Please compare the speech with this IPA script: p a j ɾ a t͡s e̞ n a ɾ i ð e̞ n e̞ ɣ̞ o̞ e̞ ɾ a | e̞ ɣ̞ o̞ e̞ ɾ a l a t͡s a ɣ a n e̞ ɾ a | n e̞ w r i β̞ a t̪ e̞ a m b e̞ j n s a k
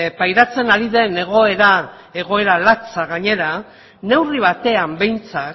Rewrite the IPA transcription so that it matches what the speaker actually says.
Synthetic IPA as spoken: p a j ɾ a t͡s e̞ n a ɾ i ð e̞ n e̞ ɣ̞ o̞ e̞ ɾ a | e̞ ɣ̞ o̞ e̞ ɾ a l a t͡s a ɣ a ɲ e̞ ɾ a | n e̞ w r i β̞ a t̪ e̞ a m b e̞ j n t͡s a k